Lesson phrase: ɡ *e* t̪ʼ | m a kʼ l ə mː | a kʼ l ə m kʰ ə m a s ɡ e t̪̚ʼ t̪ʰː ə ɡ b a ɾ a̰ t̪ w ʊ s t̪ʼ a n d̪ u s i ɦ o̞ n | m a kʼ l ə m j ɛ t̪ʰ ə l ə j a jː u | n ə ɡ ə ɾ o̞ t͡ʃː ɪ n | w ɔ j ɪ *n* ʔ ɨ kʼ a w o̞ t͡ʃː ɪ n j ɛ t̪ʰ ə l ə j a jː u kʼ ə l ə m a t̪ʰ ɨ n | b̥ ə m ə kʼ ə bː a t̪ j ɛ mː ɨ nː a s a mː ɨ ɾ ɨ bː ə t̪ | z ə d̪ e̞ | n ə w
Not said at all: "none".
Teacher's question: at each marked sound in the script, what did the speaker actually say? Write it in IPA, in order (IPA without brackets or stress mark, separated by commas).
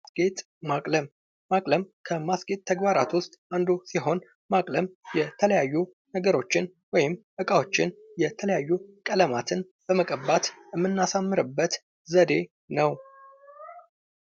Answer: e, m